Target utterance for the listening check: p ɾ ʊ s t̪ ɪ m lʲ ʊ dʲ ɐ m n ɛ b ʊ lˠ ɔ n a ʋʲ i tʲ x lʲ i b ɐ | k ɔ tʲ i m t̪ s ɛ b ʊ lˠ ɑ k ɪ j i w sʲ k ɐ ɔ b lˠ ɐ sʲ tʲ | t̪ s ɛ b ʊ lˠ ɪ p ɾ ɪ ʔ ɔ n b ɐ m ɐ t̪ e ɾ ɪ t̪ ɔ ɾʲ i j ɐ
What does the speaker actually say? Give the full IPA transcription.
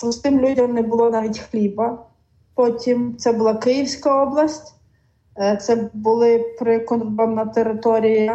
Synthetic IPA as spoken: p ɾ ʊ s t̪ ɪ m lʲ u dʲ ɐ m n ɛ b ʊ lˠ ɔ n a ʋʲ i tʲ x lʲ i b ɐ | p ɔ tʲ i m t̪ s ɛ b ʊ lˠ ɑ k ɪ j i w sʲ k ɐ ɔ b lˠ ɐ sʲ tʲ | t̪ s ɛ b ʊ lˠ ɪ p ɾ ɪ k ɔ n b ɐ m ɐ t̪ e ɾ ɪ t̪ ɔ ɾʲ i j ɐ